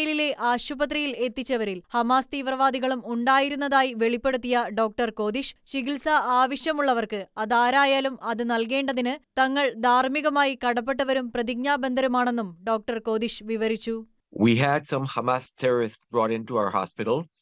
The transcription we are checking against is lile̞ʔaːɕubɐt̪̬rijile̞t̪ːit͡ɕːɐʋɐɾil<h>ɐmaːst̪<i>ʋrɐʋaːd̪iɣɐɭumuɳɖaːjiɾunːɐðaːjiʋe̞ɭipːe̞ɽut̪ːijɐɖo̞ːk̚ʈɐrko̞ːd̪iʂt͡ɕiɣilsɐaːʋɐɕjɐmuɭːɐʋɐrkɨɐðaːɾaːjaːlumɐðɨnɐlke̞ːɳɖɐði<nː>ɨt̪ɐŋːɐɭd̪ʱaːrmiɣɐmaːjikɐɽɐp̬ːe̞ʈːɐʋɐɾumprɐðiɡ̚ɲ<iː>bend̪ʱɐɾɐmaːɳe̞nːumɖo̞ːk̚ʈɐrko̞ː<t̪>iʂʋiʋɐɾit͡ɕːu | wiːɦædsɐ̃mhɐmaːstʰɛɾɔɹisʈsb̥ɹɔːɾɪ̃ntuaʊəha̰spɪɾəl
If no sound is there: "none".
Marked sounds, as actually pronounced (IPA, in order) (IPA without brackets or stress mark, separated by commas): h, iː, n, aː, d̪